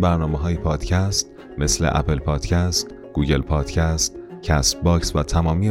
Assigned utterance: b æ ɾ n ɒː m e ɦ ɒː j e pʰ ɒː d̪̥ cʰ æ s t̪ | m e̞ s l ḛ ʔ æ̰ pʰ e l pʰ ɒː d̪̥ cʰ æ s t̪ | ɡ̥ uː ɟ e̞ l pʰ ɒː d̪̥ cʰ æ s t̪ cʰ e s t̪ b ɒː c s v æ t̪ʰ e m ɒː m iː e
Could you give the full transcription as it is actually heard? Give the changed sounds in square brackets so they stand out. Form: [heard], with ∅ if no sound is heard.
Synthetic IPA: b æ ɾ n ɒː m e ɦ ɒː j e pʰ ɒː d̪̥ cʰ æ s t̪ | m e̞ s l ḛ ʔ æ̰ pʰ e l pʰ ɒː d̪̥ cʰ æ s t̪ | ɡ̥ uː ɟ e̞ l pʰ ɒː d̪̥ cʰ æ s t̪ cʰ [æ] s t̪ b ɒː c s v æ t̪ʰ [æ] m ɒː m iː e